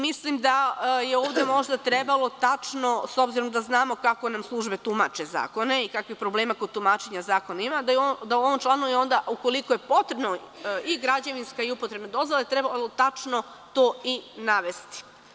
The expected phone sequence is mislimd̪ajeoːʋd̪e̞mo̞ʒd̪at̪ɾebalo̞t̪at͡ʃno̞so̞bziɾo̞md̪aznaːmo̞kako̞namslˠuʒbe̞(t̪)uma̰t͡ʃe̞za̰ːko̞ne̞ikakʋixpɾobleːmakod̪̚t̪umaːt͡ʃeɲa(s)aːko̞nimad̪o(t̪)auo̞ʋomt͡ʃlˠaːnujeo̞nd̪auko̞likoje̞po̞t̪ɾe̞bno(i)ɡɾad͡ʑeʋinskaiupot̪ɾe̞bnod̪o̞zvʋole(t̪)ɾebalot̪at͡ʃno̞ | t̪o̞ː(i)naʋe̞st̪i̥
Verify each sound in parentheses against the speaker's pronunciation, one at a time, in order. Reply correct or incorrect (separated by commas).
correct, incorrect, incorrect, correct, correct, correct